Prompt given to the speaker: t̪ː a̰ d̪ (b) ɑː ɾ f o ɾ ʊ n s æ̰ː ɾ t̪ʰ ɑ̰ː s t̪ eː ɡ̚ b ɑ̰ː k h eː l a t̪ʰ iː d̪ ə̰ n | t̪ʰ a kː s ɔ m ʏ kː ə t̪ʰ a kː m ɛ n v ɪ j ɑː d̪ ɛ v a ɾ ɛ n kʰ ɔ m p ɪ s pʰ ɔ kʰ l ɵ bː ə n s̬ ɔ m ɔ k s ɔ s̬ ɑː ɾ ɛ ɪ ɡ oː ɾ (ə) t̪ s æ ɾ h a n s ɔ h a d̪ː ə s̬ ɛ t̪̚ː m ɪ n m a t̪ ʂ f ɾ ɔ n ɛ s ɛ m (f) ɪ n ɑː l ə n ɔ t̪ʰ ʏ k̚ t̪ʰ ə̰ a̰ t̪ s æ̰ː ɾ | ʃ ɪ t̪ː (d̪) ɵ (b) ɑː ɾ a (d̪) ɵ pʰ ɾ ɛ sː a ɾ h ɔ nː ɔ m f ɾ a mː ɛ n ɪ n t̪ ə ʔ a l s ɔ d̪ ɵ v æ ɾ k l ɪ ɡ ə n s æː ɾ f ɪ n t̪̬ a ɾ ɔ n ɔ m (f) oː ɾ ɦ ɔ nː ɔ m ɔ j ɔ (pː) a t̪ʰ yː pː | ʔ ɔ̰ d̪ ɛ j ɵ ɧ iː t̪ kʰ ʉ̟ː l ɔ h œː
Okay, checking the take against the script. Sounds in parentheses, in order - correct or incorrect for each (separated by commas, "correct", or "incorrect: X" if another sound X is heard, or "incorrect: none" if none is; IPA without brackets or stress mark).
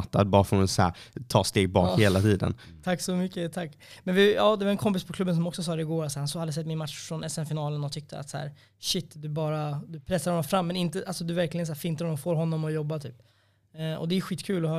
correct, incorrect: a, correct, correct, correct, correct, correct, incorrect: bː